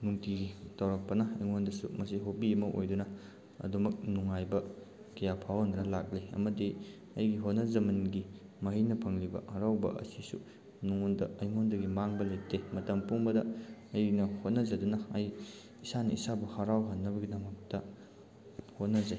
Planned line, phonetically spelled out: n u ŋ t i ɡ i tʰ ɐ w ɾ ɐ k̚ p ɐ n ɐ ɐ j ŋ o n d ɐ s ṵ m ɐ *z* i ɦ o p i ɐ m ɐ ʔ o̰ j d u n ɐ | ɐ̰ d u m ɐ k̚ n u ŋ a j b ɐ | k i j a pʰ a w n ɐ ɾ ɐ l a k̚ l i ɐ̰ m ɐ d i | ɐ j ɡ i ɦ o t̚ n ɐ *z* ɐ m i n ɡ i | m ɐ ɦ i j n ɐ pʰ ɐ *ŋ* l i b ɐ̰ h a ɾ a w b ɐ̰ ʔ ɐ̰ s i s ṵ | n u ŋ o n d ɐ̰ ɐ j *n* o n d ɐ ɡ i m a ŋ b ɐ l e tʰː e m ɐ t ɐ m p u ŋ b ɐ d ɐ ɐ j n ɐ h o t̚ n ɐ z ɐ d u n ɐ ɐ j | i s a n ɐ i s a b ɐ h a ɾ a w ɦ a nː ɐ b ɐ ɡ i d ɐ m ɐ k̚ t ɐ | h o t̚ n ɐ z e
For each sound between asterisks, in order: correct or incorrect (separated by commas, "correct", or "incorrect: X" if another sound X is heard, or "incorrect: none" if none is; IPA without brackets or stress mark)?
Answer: incorrect: s, correct, correct, incorrect: ŋ